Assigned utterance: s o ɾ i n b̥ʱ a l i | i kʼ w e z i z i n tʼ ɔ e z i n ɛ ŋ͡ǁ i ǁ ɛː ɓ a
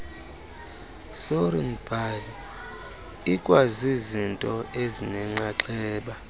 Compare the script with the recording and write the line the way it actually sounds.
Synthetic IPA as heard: s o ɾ i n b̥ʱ a l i | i kʼ w a z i z i n tʼ ɔ e z i n ɛ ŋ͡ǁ a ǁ ɛː ɓ a